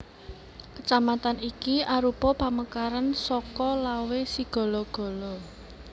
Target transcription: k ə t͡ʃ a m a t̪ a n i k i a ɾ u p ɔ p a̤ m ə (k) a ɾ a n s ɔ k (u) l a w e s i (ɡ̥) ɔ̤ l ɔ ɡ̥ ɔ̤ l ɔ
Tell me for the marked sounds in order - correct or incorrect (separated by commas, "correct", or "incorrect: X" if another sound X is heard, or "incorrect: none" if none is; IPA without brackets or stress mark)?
correct, incorrect: ɔ, correct